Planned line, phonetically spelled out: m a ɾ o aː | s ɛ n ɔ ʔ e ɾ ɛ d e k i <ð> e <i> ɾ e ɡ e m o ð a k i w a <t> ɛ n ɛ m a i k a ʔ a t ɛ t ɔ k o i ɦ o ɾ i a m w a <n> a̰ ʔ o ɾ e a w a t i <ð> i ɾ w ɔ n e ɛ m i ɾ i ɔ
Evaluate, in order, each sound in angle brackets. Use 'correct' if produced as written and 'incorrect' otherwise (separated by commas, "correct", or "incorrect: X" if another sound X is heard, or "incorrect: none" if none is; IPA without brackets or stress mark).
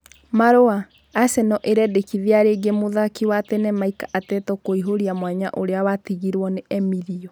correct, incorrect: a, correct, incorrect: ɲ, incorrect: ɣ